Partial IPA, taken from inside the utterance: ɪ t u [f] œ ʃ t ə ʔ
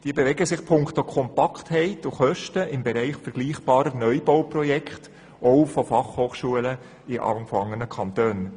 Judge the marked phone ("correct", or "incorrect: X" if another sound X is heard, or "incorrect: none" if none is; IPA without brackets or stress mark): incorrect: χ